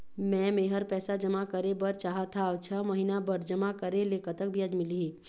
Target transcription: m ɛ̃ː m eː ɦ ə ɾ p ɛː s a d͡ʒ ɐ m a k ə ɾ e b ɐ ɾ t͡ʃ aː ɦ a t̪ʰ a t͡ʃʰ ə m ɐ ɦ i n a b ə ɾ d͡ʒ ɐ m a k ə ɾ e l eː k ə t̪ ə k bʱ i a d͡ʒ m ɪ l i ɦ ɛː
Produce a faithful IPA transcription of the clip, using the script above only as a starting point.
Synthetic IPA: m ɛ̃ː m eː ɦ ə ɾ p ɛː s a d͡ʒ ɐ m a k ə ɾ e b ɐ ɾ t͡ʃ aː ɦ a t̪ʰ a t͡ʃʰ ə m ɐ ɦ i n a b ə ɾ d͡ʒ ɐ m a k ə ɾ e l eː k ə t̪ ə k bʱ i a d͡ʒ m ɪ l i ɦ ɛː